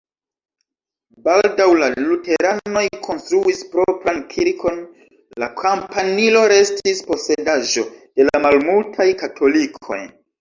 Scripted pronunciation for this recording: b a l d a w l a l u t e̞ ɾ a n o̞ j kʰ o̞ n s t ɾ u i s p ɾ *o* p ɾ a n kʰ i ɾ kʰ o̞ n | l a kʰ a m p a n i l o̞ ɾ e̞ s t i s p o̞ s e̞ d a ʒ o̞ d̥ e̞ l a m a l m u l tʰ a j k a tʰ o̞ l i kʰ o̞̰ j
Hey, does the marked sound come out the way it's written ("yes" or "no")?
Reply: yes